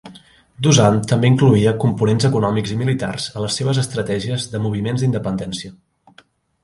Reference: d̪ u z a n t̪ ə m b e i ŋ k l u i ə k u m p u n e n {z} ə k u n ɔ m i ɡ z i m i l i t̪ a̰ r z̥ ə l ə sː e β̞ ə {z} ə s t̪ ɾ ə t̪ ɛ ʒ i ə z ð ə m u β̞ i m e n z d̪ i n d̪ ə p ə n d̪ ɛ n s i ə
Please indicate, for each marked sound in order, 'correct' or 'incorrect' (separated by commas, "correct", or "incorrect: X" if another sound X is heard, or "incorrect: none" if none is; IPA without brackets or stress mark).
correct, correct